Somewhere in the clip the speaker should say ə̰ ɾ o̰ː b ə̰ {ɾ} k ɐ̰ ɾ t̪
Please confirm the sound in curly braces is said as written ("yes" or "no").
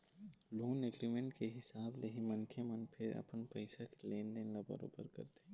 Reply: yes